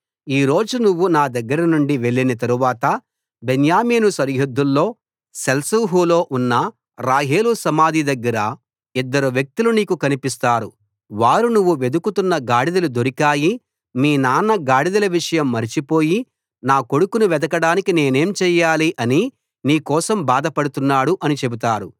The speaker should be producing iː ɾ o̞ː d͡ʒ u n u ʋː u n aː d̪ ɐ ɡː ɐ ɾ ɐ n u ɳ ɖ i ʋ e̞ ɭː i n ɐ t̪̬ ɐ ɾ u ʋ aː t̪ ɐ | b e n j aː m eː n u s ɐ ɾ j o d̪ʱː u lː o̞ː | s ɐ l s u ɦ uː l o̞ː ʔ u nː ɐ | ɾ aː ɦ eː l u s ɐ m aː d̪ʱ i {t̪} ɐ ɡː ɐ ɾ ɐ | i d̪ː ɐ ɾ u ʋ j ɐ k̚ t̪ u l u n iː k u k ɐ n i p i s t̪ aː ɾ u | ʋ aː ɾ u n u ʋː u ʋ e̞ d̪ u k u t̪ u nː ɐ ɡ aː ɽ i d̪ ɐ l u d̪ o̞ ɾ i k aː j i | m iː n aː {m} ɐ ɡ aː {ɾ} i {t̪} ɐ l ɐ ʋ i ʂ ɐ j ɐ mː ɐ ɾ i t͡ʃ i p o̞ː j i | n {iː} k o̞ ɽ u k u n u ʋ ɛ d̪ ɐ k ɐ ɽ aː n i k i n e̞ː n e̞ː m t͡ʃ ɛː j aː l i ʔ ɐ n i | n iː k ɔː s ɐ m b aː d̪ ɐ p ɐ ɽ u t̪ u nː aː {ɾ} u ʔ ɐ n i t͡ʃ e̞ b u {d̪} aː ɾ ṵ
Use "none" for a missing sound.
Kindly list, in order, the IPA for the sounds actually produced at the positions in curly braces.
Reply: d̪, n, ɽ, d̪, aː, ɽ, t̪

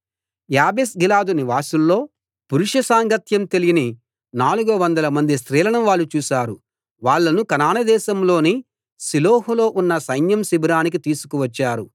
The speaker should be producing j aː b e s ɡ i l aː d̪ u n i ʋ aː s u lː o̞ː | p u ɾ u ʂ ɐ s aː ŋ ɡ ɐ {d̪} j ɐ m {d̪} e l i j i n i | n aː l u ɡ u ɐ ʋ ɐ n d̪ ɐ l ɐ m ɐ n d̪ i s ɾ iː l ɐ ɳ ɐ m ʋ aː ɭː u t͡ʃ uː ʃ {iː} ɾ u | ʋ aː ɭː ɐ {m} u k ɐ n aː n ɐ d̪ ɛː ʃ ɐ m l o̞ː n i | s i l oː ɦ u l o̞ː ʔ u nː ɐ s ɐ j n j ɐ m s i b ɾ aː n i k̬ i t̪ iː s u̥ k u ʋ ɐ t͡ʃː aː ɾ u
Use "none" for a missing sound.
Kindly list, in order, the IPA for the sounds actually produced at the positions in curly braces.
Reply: t̪, t̪, aː, n

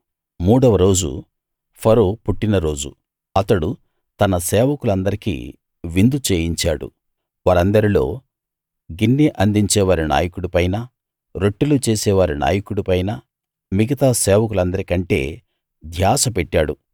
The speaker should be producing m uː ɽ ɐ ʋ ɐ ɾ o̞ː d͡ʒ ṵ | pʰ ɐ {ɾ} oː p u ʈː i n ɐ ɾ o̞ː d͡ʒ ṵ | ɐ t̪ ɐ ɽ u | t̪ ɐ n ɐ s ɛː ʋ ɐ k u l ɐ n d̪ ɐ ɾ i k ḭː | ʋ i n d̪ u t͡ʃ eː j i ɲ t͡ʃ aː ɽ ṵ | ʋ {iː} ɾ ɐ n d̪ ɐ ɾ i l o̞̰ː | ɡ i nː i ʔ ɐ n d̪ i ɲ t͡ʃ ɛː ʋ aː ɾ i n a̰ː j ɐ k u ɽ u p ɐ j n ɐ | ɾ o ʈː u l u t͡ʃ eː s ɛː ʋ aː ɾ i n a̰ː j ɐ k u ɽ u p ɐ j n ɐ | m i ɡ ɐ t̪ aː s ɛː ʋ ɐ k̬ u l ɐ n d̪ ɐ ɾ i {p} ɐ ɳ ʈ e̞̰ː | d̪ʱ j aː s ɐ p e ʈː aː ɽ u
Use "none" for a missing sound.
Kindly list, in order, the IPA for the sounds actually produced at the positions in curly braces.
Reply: ɾ, aː, k

